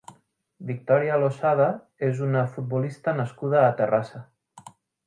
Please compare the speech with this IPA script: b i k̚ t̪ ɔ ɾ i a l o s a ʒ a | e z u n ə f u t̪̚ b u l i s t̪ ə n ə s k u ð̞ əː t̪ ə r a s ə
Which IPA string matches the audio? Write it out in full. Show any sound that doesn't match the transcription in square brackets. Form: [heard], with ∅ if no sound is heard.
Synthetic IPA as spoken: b i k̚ t̪ ɔ ɾ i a l o s a [ð] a | e z u n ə f u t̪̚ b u l i s t̪ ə n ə s k u ð̞ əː t̪ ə r a s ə